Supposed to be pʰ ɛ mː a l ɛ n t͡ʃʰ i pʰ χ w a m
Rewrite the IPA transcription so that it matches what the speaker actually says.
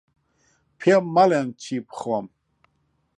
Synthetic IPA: pʰ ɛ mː a l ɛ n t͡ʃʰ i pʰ χ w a m